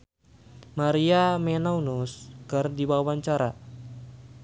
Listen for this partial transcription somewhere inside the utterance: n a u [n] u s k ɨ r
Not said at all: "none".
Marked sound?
n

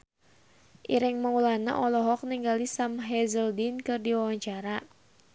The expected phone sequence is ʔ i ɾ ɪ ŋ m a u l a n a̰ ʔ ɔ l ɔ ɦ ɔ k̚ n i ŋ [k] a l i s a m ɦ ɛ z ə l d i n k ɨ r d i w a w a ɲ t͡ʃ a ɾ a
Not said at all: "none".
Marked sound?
ɡ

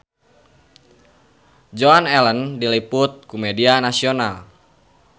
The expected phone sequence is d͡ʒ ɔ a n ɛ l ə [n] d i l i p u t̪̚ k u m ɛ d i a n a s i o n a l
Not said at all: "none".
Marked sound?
n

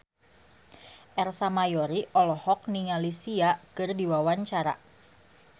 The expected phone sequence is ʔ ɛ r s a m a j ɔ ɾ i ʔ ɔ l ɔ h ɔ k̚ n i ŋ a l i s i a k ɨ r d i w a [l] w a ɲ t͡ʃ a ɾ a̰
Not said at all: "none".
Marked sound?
none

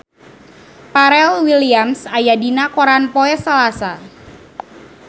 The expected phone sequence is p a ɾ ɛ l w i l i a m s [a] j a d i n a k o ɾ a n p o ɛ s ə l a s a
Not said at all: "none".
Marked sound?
a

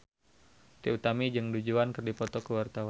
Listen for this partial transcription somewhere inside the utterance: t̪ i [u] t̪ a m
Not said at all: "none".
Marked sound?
u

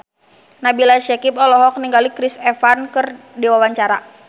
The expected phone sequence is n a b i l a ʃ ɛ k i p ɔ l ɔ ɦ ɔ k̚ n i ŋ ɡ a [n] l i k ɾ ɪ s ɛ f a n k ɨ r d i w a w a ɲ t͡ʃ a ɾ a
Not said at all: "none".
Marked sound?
none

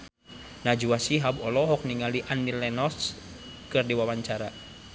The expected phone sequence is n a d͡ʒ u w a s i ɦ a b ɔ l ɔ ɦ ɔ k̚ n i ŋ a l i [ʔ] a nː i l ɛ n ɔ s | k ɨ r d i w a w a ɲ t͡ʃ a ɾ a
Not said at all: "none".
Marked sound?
ʔ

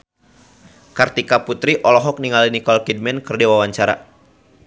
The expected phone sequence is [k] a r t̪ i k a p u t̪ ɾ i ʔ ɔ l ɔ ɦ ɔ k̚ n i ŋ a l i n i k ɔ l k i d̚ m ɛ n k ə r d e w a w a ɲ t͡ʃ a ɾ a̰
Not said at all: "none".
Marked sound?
k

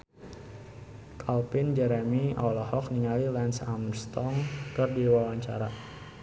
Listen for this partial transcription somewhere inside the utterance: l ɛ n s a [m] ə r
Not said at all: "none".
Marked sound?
m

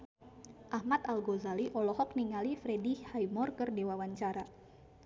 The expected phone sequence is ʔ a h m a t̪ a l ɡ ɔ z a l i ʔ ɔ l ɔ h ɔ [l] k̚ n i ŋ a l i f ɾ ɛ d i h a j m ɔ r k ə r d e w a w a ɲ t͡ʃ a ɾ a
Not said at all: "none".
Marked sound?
none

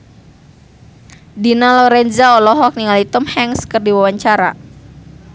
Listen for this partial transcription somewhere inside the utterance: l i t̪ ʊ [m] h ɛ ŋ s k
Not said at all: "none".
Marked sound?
m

